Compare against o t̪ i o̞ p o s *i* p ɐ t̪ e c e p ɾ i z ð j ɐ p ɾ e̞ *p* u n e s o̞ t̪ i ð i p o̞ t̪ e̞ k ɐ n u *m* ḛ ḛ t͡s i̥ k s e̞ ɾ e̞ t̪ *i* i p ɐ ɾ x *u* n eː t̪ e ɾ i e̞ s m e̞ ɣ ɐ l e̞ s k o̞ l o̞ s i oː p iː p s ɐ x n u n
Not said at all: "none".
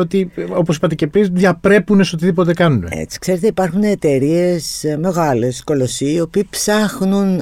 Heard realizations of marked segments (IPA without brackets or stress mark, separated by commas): i, p, n, e, u